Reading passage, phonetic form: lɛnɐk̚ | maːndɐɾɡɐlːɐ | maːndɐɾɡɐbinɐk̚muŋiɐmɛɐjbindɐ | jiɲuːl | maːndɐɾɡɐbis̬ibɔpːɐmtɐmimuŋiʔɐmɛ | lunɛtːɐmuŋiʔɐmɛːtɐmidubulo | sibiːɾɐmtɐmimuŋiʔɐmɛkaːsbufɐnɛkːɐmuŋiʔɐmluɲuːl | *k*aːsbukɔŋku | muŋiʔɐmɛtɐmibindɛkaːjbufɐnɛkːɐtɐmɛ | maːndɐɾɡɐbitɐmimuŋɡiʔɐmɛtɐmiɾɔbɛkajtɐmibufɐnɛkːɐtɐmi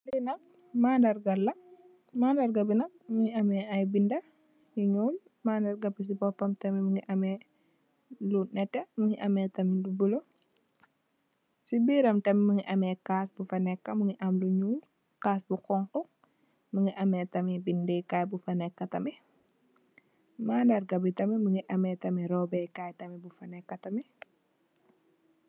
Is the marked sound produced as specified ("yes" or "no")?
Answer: yes